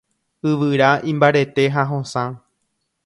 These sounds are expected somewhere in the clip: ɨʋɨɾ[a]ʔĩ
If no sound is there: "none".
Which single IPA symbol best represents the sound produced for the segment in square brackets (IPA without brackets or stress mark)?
a